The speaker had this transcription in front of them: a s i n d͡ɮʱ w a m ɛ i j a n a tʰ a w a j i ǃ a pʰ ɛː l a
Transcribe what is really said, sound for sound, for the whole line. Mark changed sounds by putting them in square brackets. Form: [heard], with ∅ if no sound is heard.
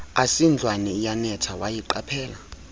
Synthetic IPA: a s i n d͡ɮʱ w a [n] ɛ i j a n [ɛ] tʰ a w a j i ǃ a pʰ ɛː l a